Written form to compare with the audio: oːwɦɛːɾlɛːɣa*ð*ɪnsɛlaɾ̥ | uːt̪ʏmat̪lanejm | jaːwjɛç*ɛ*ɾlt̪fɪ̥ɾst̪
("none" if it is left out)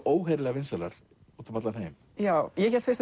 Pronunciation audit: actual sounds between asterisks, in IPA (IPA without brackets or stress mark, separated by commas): v, ɛ